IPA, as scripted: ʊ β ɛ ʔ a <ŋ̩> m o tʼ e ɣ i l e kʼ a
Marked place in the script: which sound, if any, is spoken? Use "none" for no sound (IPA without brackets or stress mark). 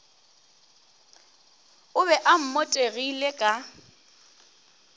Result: m̩